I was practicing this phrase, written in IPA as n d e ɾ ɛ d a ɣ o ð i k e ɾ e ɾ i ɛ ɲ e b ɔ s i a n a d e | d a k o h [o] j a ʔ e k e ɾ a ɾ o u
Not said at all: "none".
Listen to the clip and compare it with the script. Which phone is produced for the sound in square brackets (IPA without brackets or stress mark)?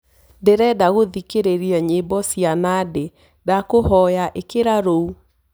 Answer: ɔ